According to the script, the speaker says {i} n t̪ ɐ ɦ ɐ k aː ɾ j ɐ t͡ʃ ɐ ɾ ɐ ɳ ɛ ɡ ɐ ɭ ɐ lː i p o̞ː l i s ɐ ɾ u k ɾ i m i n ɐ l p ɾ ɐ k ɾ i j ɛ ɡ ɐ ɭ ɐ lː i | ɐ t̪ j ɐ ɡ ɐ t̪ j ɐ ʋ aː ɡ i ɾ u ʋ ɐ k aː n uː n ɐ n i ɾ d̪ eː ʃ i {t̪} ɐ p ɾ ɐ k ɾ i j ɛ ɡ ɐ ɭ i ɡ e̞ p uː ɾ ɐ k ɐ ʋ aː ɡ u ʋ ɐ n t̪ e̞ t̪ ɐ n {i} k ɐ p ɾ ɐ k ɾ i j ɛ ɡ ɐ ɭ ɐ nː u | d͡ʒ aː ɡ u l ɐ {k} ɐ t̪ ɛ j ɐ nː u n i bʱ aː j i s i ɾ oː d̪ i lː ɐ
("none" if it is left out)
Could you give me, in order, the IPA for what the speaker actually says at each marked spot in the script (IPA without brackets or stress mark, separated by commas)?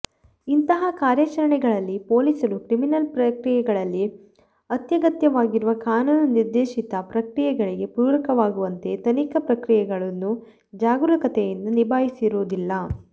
i, t̪, i, k